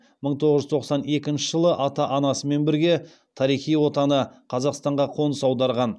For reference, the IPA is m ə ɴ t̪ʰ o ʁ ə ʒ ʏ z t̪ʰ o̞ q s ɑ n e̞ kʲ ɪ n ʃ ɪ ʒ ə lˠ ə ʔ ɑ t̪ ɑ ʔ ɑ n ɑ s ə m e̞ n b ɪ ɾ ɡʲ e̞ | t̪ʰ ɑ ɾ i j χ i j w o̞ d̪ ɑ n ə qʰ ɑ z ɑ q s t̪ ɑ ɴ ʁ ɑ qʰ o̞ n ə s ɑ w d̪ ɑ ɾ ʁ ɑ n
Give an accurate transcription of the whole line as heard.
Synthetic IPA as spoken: m ə ɴ t̪ʰ o ʁ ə ʒ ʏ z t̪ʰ o̞ q s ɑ n e̞ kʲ ɪ n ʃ ɪ ʒ ə lˠ ə ʔ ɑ t̪ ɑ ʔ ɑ n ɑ s ə m e̞ n b ɪ ɾ ɡʲ e̞ | t̪ʰ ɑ ɾ i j χ i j w o̞ t̪ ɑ n ə qʰ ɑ z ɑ q s t̪ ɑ ɴ ʁ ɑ qʰ o̞ n ə s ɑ w d̪ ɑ ɾ ʁ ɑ n